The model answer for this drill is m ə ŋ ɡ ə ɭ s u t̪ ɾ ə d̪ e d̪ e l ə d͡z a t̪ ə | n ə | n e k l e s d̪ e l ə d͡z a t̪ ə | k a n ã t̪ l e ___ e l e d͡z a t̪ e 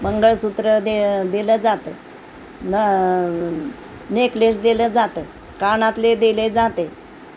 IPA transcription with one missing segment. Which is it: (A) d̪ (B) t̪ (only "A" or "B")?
A